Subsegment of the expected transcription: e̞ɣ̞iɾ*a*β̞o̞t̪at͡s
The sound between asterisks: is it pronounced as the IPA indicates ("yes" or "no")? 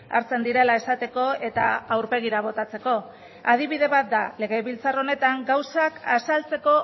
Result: yes